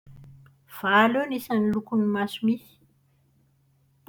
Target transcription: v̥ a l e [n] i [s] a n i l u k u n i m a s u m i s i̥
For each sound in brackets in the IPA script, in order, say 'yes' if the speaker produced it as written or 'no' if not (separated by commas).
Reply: yes, yes